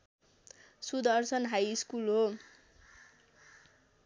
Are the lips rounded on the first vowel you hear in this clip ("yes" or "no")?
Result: yes